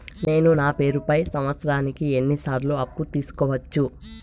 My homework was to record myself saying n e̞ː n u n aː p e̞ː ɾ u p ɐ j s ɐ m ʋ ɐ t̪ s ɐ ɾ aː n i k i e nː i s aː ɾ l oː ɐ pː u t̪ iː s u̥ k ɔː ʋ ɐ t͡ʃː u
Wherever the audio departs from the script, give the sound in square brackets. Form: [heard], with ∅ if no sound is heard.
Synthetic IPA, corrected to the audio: n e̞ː n u n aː p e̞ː ɾ u p ɐ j s ɐ m ʋ ɐ t̪ s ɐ ɾ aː n i k i e nː i s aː ɾ l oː ɐ pː u t̪ iː s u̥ k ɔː ʋ ɐ t͡ʃː u